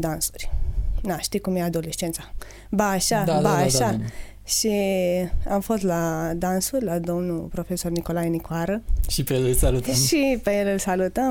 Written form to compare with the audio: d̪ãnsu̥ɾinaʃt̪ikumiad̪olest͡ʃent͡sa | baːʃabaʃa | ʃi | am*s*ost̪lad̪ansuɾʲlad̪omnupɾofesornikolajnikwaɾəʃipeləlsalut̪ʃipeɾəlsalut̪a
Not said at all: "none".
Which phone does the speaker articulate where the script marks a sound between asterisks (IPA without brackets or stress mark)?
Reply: f